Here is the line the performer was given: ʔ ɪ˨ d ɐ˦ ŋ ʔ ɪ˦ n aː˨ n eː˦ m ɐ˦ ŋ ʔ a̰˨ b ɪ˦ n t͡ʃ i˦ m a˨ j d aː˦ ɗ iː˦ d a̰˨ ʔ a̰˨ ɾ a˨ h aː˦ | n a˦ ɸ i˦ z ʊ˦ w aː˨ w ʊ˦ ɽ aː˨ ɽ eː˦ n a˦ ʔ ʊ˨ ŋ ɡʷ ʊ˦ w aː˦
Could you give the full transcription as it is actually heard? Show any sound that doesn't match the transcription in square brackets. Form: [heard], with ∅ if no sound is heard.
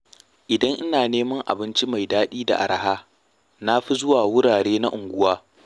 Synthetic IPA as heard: ʔ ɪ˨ d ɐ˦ ŋ ʔ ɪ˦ n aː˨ n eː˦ m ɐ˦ ŋ ʔ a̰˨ b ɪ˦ n t͡ʃ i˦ m a˨ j d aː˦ ɗ iː˦ d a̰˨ ʔ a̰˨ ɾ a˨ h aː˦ | n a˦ ɸ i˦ z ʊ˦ w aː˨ w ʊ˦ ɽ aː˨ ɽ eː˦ n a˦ ʔ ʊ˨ ŋ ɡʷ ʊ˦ w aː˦